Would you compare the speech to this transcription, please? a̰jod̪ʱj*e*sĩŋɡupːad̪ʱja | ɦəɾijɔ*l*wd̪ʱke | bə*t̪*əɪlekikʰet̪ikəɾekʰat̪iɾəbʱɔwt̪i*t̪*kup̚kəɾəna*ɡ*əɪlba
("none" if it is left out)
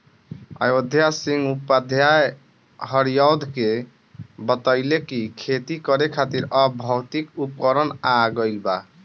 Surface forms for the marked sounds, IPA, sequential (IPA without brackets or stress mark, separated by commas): a, none, t̪, none, ɡ